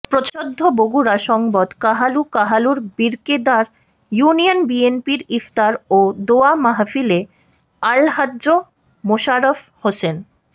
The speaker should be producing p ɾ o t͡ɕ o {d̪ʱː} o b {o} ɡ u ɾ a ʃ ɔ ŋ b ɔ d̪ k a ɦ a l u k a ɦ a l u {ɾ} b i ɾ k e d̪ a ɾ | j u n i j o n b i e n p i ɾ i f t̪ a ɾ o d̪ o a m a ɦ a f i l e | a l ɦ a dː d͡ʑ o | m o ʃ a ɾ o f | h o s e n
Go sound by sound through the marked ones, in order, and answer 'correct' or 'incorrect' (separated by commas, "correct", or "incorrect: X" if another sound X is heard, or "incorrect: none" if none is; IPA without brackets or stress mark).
correct, correct, correct